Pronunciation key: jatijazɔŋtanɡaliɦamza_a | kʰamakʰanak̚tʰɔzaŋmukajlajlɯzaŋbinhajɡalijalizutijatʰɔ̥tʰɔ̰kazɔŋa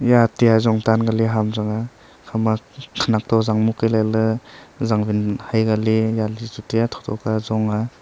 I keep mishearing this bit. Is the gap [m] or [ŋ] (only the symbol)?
ŋ